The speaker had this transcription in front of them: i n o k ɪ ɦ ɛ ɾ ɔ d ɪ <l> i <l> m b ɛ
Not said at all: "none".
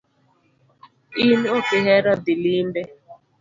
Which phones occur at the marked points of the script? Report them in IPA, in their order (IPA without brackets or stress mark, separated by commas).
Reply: l, none